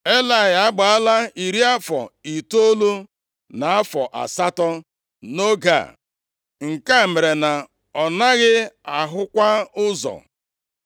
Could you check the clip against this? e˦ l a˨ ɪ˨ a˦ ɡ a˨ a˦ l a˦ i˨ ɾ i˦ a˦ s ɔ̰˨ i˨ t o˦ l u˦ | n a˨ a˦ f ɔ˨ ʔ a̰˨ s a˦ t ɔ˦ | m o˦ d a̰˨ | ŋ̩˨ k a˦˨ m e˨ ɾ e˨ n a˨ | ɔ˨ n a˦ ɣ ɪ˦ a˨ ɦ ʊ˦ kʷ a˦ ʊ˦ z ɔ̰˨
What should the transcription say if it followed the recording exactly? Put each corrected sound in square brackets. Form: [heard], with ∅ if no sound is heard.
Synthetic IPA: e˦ l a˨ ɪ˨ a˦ [ɡ͡b] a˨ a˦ l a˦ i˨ ɾ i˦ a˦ [f] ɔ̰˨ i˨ t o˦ l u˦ | n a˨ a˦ f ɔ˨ ʔ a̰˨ s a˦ t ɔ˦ | [n] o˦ [ɡ] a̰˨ | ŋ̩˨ k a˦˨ m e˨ ɾ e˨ n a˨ | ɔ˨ n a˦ ɣ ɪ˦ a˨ ɦ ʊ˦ kʷ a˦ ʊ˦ z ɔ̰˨